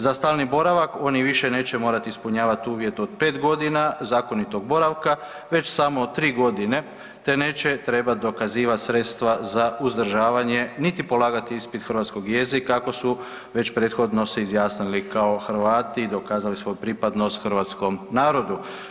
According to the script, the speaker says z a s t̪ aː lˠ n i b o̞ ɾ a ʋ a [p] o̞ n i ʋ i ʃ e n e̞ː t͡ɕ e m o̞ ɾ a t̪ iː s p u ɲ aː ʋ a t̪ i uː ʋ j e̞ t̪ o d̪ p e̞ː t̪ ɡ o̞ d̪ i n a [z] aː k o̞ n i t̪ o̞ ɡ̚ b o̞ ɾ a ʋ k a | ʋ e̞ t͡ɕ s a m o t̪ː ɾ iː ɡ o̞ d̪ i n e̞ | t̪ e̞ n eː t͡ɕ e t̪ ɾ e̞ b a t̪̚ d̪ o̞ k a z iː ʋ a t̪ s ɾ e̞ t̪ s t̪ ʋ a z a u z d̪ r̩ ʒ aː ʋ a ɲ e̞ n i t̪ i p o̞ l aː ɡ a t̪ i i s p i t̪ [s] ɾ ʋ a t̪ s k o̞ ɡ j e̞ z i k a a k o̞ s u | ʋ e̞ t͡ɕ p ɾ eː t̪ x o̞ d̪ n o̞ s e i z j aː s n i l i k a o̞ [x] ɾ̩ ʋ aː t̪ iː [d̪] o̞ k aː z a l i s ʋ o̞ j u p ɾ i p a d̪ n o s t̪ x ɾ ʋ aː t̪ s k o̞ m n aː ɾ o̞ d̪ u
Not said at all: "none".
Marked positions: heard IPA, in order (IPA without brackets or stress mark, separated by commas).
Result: k, z, x, x, d̪